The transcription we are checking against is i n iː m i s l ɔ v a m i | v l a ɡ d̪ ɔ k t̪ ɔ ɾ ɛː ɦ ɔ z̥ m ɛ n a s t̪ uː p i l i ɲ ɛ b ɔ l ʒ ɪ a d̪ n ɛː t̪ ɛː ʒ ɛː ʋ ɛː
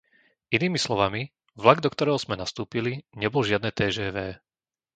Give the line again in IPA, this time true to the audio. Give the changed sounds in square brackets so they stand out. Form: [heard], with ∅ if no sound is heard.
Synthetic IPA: i n iː m i s l ɔ [ʋ] a m i | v l a ɡ d̪ ɔ k t̪ ɔ ɾ ɛː ɦ ɔ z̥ m ɛ n a s t̪ uː p i l i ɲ ɛ b ɔ l ʒ ɪ a d̪ n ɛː t̪ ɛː ʒ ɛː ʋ ɛː